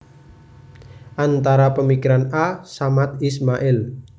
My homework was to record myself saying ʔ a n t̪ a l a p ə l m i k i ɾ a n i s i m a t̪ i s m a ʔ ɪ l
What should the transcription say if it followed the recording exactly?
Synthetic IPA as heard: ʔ a n t̪ a ɾ a p ə m i k i ɾ a n a s a m a t̪ i s m a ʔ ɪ l